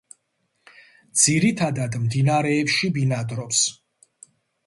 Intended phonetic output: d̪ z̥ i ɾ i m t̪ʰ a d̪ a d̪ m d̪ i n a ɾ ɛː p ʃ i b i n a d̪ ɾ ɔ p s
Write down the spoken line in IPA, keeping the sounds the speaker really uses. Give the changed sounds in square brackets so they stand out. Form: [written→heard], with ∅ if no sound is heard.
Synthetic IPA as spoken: d̪ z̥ i ɾ i [m→∅] t̪ʰ a d̪ a d̪ m d̪ i n a ɾ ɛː p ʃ i b i n a d̪ ɾ ɔ p s